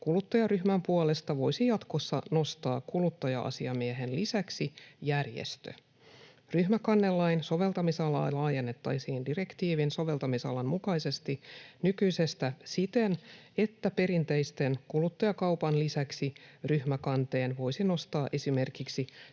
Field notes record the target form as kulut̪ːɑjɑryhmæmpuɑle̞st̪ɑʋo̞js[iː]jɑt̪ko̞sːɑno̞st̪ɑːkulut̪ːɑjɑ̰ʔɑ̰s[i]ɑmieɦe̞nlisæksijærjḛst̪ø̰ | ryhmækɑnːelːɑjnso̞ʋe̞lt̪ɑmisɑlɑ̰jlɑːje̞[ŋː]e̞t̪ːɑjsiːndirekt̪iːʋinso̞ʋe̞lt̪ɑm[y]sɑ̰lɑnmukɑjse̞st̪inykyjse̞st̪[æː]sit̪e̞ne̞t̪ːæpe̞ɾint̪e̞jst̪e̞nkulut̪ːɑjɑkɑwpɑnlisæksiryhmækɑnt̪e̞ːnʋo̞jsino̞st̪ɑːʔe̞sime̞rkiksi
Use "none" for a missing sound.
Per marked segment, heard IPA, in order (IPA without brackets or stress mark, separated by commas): i, i, nː, i, æ